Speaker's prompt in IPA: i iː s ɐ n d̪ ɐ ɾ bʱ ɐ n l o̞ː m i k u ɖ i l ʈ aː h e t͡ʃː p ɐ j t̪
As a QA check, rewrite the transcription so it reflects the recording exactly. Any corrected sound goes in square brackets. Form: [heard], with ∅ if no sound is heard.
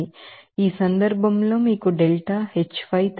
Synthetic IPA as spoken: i iː s ɐ n d̪ ɐ ɾ bʱ ɐ [m] l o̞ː m [iː] k u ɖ [e] l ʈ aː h e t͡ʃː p ɐ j t̪